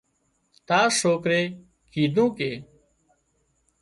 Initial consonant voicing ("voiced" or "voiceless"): voiceless